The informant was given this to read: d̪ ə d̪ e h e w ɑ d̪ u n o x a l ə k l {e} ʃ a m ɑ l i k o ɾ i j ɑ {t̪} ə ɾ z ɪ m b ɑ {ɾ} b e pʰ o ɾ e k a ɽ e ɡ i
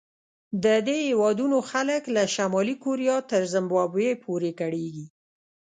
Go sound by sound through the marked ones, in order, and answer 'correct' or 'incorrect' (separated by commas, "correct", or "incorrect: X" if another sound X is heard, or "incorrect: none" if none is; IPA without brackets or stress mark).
incorrect: a, correct, incorrect: none